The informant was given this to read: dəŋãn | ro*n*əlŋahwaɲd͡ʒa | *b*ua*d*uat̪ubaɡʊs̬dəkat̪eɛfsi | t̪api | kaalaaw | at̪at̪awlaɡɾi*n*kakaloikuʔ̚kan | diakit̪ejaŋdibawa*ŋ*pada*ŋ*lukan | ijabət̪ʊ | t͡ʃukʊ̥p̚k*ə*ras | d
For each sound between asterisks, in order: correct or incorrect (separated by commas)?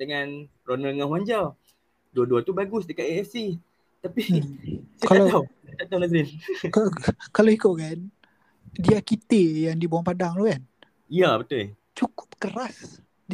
correct, incorrect, correct, correct, correct, correct, correct